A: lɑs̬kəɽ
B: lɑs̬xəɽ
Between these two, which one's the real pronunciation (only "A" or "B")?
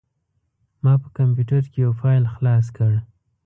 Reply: A